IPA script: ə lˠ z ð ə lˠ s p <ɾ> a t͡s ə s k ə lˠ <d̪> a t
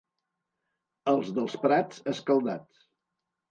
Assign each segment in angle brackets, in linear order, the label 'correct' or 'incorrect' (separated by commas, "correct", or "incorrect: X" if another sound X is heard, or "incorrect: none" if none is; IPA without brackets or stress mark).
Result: correct, correct